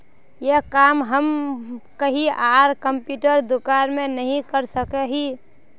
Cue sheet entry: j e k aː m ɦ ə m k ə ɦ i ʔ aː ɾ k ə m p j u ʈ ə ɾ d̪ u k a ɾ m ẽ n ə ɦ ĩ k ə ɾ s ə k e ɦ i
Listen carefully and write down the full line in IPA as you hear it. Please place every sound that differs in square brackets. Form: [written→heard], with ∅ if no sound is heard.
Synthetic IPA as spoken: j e k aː m ɦ ə m k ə ɦ i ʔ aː ɾ k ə m p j u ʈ ə ɾ d̪ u k a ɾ m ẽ n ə ɦ ĩ k ə ɾ s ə k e ɦ i